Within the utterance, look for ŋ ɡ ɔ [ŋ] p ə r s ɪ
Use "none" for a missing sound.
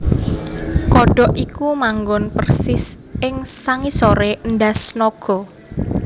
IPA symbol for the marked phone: n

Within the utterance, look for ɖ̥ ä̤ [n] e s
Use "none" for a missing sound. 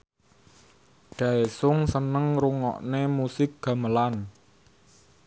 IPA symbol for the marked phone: none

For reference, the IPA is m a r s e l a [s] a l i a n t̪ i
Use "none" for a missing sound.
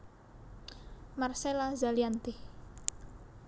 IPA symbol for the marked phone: z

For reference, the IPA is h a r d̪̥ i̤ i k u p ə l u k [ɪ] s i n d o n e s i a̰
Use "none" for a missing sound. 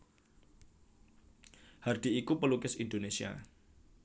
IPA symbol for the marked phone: ɪ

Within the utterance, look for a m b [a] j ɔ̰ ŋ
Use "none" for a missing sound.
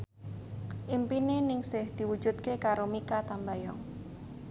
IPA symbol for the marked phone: a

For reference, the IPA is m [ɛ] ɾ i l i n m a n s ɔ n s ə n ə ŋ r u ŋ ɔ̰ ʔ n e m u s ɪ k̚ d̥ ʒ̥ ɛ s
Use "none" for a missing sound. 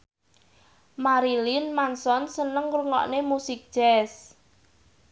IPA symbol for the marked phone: a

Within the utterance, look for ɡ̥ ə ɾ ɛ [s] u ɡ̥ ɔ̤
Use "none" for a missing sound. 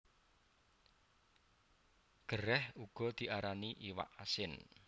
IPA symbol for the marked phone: h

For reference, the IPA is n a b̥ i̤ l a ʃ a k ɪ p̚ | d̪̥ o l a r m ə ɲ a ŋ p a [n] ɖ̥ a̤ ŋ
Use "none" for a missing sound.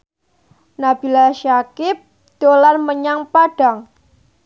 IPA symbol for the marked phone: none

